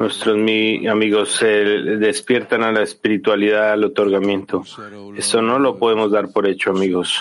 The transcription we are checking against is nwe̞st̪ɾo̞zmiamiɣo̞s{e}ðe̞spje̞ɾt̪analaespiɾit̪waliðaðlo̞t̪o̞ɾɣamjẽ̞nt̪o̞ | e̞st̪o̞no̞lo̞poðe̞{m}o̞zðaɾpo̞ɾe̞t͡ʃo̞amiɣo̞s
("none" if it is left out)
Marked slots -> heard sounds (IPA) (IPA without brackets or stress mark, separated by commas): e, m